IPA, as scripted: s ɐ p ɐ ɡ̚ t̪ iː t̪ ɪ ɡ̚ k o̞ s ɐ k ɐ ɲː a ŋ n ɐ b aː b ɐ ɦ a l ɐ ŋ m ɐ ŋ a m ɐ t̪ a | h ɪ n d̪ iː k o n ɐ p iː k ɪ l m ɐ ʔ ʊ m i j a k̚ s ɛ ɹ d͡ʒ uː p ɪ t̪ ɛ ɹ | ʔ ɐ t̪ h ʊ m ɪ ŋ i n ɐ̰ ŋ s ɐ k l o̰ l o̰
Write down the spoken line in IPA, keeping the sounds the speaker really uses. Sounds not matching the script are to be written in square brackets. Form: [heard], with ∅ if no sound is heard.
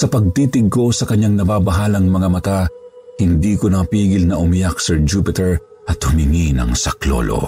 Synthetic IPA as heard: s ɐ p ɐ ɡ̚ t̪ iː t̪ ɪ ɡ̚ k o̞ s ɐ k ɐ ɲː a ŋ n ɐ b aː b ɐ ɦ a l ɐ ŋ m ɐ ŋ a m ɐ t̪ a | h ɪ n d̪ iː k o n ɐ p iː [ɡ] ɪ l [n] ɐ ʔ ʊ m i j a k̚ s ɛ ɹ d͡ʒ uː p ɪ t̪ ɛ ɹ | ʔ ɐ t̪ h ʊ m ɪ ŋ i n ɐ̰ ŋ s ɐ k l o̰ l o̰